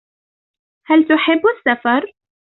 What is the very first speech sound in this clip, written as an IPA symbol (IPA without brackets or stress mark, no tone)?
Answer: h